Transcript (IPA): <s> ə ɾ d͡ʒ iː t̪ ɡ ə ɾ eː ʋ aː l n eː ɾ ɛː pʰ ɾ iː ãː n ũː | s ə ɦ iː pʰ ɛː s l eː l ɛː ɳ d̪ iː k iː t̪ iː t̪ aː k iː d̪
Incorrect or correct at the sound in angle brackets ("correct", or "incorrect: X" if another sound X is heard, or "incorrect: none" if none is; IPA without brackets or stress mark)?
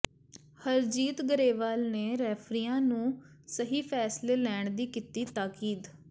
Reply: incorrect: h